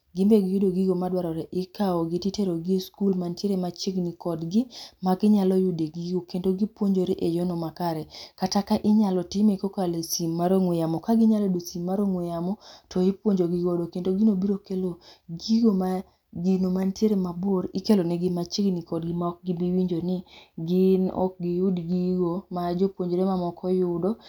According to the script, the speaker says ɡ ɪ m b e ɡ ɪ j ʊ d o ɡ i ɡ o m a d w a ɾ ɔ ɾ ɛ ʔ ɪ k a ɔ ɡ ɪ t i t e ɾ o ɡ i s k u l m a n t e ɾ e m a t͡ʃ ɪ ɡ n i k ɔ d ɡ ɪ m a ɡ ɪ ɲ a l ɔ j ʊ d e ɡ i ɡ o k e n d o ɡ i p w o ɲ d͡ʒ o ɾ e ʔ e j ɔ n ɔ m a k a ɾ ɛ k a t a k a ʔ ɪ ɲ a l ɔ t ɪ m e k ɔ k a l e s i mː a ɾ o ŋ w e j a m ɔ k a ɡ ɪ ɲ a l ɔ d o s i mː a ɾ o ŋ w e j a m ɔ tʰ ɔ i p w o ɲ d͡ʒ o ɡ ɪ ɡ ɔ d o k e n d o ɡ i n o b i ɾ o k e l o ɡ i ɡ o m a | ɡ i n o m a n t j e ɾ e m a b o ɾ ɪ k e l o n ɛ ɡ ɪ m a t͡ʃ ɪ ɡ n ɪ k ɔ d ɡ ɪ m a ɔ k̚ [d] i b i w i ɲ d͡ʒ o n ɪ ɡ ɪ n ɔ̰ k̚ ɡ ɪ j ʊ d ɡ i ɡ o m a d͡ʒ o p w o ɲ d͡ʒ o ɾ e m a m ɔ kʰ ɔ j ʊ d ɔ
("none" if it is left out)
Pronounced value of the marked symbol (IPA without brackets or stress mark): ɡ